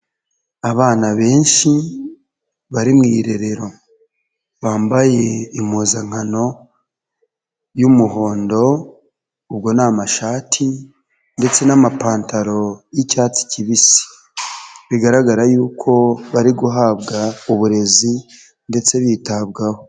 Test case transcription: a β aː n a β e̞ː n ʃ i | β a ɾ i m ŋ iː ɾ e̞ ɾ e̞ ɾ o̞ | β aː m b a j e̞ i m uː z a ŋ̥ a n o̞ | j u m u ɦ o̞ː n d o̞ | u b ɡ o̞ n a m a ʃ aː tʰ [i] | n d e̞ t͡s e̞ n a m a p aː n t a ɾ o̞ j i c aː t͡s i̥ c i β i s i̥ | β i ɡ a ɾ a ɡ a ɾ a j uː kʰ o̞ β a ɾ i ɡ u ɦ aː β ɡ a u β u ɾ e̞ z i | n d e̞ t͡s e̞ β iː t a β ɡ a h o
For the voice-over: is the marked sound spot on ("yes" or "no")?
yes